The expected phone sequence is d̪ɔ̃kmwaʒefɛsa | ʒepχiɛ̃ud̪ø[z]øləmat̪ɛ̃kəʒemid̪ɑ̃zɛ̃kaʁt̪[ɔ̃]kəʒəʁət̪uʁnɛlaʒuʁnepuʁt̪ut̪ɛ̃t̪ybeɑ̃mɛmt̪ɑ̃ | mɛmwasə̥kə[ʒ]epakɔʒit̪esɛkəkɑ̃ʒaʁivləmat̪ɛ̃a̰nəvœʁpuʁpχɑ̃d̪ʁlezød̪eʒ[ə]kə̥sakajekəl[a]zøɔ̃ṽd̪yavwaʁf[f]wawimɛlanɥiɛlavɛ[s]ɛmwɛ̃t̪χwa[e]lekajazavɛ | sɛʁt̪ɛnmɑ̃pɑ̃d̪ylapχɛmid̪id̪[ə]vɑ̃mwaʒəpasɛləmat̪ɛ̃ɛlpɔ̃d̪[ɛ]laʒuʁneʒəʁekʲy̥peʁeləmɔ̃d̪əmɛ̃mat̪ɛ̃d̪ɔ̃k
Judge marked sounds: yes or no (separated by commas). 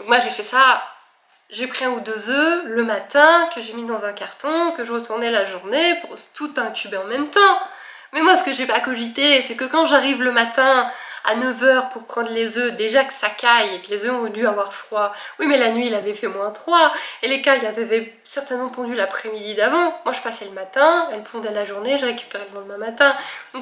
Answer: yes, yes, yes, no, no, no, no, yes, no, yes